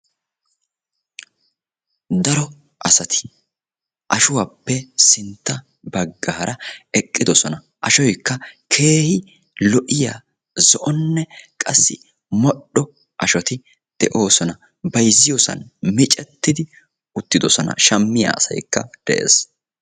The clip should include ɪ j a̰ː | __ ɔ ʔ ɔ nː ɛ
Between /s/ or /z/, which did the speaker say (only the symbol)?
z